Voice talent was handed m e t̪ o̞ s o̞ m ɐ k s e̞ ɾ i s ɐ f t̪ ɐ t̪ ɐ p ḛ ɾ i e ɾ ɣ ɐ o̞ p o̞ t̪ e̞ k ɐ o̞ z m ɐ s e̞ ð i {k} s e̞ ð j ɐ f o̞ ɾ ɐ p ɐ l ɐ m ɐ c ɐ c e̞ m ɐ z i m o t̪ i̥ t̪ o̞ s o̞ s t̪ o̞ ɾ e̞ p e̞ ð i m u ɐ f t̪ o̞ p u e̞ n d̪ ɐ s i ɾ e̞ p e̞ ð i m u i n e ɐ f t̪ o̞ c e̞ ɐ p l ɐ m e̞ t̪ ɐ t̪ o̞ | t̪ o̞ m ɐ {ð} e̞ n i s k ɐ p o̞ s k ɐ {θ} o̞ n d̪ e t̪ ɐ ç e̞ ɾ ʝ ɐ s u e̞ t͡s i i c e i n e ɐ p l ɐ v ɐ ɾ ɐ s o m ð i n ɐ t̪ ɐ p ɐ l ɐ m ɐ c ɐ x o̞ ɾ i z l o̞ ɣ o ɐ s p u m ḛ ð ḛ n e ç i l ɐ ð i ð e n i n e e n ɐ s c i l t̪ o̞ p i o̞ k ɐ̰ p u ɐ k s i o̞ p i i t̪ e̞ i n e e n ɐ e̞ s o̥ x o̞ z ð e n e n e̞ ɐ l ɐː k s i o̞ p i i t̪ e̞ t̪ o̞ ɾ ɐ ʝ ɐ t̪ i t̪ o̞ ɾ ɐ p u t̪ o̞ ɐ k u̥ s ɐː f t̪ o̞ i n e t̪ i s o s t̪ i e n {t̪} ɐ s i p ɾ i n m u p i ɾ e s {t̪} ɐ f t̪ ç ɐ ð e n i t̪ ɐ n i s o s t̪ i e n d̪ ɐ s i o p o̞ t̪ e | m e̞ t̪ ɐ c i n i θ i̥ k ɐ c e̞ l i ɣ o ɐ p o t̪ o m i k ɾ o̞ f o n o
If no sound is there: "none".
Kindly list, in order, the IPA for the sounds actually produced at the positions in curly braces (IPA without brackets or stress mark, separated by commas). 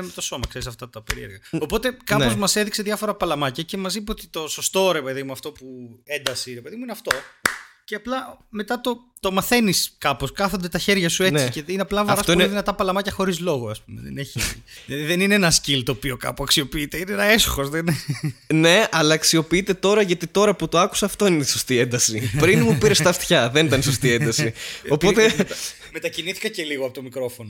k, θ, θ, d̪, t̪